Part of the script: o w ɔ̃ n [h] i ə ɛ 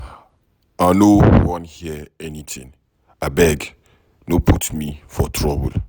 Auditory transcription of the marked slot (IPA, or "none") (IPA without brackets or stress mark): h